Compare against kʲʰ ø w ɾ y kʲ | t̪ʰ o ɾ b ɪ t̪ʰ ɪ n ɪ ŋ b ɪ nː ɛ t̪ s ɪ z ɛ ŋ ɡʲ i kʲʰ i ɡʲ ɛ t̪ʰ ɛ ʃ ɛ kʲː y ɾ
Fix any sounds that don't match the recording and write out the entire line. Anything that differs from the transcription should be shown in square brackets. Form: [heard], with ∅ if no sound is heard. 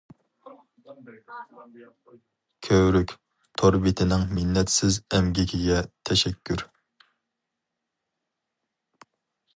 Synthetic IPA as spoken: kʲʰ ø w ɾ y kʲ | t̪ʰ o ɾ b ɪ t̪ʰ ɪ n ɪ ŋ [m] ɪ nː ɛ t̪ s ɪ z ɛ [m] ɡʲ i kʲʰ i ɡʲ ɛ t̪ʰ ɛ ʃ ɛ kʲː y ɾ